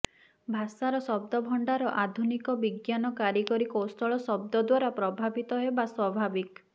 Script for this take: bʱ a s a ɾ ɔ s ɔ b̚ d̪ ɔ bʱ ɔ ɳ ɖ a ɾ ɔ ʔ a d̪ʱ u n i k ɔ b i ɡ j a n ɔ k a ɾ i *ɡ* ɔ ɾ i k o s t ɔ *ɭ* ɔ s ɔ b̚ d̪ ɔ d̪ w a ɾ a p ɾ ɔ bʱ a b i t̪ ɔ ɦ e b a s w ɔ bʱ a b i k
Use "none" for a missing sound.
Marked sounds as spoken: k, ɭ

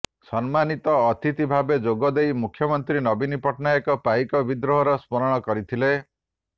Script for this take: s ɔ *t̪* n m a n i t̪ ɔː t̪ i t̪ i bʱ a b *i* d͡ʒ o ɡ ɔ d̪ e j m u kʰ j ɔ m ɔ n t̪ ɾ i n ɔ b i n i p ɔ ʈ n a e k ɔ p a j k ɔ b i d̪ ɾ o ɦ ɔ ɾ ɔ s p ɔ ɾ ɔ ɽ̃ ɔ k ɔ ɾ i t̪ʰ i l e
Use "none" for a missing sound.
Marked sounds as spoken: none, e

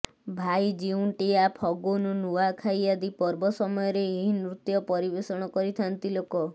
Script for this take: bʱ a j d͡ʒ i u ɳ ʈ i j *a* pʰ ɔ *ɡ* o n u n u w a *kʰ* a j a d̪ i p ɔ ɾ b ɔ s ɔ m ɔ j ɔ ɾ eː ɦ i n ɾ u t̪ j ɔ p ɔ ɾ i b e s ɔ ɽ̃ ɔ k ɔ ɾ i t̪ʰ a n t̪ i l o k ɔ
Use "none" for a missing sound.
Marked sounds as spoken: a, ɡ, kʰ

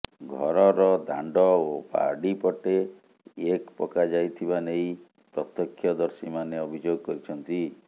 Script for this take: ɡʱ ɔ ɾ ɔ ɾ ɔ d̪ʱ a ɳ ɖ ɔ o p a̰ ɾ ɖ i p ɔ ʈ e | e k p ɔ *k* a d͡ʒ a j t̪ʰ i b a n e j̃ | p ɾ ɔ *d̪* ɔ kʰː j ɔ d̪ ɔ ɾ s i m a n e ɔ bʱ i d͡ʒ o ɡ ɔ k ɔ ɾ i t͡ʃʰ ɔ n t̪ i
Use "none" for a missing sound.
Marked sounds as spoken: k, t̪

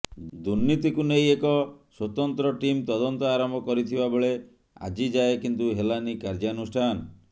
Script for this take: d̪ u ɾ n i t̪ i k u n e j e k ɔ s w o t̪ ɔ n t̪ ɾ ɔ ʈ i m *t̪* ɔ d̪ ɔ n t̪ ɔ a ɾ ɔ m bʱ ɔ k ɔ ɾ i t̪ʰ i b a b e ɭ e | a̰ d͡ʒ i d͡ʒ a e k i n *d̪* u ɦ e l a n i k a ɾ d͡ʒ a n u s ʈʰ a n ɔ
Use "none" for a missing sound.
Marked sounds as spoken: t̪, t̪

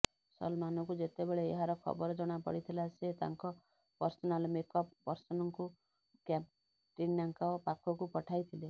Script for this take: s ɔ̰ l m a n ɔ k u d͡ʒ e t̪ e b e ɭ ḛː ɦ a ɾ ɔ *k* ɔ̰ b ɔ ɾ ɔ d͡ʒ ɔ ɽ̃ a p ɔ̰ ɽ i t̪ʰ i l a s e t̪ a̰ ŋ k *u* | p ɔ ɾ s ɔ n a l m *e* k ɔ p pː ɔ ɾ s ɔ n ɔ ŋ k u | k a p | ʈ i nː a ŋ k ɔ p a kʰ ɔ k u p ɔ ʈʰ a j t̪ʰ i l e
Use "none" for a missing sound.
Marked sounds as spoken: kʰ, ɔ, e

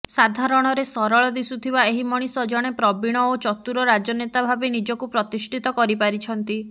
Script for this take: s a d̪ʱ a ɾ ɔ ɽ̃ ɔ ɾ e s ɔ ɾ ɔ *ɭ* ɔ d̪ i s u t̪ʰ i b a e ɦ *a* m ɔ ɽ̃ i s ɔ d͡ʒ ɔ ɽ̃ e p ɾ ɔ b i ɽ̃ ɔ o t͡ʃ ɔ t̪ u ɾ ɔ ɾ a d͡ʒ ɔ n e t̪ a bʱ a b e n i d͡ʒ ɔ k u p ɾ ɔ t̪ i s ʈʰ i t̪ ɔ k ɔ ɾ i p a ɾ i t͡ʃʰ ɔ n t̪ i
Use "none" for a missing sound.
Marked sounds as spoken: ɭ, i

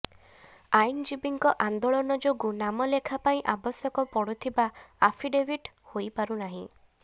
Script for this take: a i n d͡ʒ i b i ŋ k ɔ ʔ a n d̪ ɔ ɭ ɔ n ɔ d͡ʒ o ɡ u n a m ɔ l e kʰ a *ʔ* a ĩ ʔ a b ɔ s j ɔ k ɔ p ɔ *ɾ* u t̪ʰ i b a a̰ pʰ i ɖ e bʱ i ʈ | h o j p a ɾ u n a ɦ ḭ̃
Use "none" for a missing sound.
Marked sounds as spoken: p, ɽ

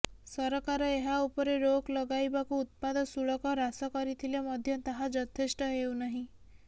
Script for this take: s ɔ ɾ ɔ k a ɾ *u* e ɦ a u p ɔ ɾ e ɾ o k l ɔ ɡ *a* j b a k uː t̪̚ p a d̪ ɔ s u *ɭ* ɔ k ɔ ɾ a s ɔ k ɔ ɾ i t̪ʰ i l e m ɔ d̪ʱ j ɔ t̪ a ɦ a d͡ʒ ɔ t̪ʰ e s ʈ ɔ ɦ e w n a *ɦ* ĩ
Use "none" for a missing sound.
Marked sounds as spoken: ɔ, a, ɭ, ɦ

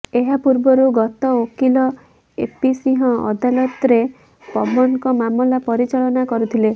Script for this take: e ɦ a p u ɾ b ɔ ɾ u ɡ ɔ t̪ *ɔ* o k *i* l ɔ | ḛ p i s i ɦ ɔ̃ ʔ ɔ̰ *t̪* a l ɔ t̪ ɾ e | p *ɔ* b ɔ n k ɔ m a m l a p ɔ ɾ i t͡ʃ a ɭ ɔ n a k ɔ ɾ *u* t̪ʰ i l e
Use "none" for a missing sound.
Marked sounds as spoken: ɔ, i, d̪, ɔ, u

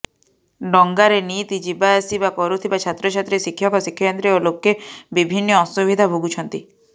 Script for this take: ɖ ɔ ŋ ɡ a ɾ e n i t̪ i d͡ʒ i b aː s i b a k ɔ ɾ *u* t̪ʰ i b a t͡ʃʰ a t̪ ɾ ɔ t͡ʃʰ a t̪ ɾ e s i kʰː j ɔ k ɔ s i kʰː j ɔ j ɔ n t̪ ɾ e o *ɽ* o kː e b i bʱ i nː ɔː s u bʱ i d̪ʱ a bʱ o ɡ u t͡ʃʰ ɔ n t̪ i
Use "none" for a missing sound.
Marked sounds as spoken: u, l

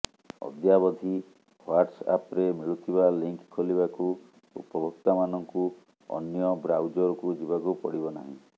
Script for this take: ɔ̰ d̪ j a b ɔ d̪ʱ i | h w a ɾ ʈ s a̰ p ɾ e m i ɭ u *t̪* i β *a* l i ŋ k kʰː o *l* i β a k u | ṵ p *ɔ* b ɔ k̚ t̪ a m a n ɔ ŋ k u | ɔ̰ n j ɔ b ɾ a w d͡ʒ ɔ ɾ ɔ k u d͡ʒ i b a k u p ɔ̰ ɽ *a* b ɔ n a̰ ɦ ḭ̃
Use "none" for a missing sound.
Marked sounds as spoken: t̪ʰ, a, l, ɔ, i

